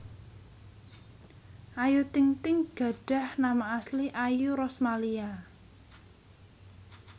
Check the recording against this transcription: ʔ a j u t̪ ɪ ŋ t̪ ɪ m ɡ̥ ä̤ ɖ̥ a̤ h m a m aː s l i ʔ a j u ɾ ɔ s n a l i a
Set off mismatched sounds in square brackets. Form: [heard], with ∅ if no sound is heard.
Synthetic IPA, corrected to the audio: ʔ a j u t̪ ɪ ŋ t̪ ɪ [ŋ] ɡ̥ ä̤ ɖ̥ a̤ h [n] a m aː s l i ʔ a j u ɾ ɔ s [m] a l i a